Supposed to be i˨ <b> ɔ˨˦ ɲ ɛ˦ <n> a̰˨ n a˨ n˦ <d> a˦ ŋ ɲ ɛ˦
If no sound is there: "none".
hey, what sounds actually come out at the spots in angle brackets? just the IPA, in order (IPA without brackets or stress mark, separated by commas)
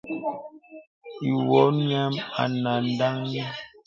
w, m, d